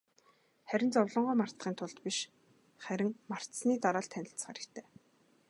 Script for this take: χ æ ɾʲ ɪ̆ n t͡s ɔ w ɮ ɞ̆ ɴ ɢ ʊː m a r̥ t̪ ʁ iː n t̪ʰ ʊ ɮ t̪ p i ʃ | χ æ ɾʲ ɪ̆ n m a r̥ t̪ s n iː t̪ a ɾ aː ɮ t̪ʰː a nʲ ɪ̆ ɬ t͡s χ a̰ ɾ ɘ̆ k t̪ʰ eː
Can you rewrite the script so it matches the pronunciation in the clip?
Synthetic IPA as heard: χ æ ɾʲ ɪ̆ n t͡s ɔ w ɮ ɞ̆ ɴ ɢ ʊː m a r̥ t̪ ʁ iː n t̪ʰ ʊ ɮ t̪ p i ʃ | χ æ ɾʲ ɪ̆ ŋ m a r̥ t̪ s n iː t̪ a ɾ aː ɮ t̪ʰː æ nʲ ɪ̆ ɬ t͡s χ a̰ ɾ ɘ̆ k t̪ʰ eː